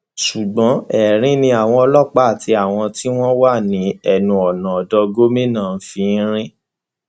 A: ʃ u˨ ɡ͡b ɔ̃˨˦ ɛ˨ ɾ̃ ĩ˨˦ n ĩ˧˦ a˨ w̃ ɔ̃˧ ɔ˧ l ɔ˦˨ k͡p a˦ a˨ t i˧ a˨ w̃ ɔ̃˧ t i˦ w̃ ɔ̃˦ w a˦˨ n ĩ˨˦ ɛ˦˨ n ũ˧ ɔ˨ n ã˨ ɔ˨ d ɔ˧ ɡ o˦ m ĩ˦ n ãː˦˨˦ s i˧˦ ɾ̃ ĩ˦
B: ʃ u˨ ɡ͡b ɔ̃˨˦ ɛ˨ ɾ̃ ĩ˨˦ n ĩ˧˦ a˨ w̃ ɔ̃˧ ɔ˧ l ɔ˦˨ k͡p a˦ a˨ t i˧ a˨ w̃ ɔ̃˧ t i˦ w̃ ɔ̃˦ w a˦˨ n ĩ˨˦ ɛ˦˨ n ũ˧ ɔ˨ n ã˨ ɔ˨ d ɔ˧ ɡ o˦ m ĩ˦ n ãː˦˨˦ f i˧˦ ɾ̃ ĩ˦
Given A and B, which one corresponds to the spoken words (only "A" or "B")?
B